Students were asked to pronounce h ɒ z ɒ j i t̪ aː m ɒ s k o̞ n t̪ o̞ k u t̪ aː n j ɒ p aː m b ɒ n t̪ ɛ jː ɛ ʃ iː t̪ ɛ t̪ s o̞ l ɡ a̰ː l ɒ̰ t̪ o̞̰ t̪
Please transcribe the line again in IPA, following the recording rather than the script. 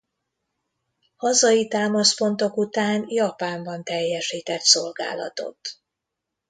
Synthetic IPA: h ɒ z ɒ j i t̪ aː m ɒ s p o̞ n t̪ o̞ k u t̪ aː n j ɒ p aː m b ɒ n t̪ ɛ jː ɛ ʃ iː t̪ ɛ t̪ s o̞ l ɡ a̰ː l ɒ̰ t̪ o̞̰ t̪